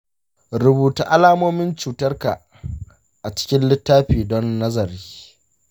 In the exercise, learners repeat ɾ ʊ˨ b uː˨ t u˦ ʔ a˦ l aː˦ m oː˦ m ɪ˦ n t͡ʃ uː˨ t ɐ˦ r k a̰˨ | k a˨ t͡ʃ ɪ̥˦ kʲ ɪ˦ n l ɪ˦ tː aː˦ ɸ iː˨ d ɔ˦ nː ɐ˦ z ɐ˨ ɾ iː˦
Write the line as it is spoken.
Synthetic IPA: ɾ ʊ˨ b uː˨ t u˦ ʔ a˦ l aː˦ m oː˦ m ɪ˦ n t͡ʃ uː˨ t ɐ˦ r k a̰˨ | ʔ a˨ t͡ʃ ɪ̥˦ kʲ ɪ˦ n l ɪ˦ tː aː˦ ɸ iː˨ d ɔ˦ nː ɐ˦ z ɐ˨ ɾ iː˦